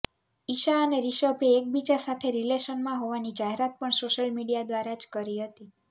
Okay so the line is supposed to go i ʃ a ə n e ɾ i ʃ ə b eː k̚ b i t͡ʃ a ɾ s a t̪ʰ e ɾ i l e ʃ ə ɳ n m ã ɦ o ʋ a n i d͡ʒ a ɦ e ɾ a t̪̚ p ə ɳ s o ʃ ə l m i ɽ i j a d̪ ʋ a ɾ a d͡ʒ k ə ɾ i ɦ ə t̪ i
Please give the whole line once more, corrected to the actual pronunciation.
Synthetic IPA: i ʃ a ə n e ɾ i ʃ ə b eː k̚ b i t͡ʃ a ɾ s a t̪ʰ e ɾ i l e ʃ ə n m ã ɦ o ʋ a n i d͡ʒ a ɦ e ɾ a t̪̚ p ə ɳ s o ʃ ə l m i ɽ i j a d̪ ʋ a ɾ a d͡ʒ k ə ɾ i ɦ ə t̪ i

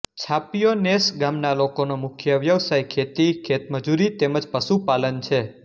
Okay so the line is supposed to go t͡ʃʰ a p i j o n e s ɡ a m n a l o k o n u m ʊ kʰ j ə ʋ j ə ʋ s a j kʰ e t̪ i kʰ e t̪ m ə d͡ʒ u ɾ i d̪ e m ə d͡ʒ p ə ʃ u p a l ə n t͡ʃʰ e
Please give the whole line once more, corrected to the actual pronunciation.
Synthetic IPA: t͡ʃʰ a p i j o n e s ɡ a m n a l o k o n o m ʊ kʰ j ə ʋ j ə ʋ s a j kʰ e t̪ i kʰ e t̪ m ə d͡ʒ u ɾ i t̪ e m ə d͡ʒ p ə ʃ u p a l ə n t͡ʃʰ e

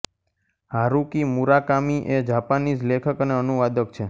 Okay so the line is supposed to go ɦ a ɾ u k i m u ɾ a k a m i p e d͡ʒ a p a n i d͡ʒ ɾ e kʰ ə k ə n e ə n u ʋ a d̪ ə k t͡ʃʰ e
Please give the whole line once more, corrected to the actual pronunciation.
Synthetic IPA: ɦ a ɾ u k i m u ɾ a k a m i ʔ e d͡ʒ a p a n i d͡ʒ l e kʰ ə k ə n e ə n u ʋ a d̪ ə k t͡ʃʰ e

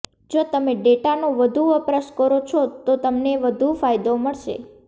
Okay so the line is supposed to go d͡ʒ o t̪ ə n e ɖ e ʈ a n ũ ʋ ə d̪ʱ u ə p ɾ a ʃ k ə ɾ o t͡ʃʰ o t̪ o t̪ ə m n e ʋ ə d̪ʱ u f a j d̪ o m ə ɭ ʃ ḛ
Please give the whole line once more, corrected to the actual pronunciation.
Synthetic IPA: d͡ʒ o t̪ ə m e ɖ e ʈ a n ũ ʋ ə d̪ʱ u ə p ɾ ə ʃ k ə ɾ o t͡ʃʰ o t̪ o t̪ ə m n e ʋ ə d̪ʱ u f a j d̪ o m ə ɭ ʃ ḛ

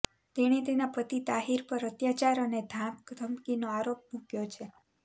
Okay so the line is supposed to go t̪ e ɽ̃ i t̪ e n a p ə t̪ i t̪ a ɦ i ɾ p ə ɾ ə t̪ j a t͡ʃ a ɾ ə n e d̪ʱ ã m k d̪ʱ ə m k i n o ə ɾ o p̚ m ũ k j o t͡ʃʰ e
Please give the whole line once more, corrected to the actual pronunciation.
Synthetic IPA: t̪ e ɽ̃ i t̪ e n a p ə t̪ i t̪ a ɦ i ɾ p ə ɾ ə t̪ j a t͡ʃ a ɾ ə n e d̪ʱ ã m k d̪ʱ ə m k i n o a ɾ o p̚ m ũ k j o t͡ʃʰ e

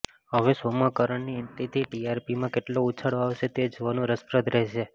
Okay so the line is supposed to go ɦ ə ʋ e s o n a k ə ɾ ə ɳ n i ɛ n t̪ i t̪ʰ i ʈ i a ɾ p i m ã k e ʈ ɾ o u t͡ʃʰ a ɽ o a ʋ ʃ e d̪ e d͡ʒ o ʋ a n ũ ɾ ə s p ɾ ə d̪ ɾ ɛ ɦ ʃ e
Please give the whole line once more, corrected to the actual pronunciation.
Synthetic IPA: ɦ ə ʋ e s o m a k ə ɾ ə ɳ n i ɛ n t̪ i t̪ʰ i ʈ i a ɾ p i m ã k e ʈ l o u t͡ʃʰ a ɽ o a ʋ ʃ e t̪ e d͡ʒ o ʋ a n ũ ɾ ə s p ɾ ə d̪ ɾ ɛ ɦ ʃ e

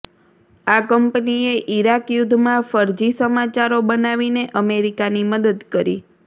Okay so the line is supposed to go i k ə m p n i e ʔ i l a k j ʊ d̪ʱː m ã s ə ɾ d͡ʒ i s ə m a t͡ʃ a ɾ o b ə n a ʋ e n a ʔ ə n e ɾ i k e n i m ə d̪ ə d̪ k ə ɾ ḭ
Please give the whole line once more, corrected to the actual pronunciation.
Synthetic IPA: a k ə m p n i e ʔ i ɾ a k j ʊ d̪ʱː m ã f ə ɾ d͡ʒ i s ə m a t͡ʃ a ɾ o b ə n a ʋ i n e ʔ ə m e ɾ i k a n i m ə d̪ ə d̪ k ə ɾ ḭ

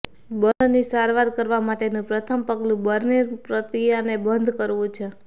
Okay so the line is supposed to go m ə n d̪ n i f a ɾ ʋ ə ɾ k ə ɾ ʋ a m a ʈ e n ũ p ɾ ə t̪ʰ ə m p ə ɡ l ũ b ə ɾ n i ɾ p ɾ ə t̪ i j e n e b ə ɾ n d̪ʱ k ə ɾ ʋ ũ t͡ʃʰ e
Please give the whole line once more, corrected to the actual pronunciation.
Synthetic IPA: b ə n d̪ n i s a ɾ ʋ a ɾ k ə ɾ ʋ a m a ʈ e n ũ p ɾ ə t̪ʰ ə m p ə ɡ l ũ b ə ɾ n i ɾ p ɾ ə t̪ i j a n e b ə n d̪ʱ k ə ɾ ʋ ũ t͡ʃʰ e

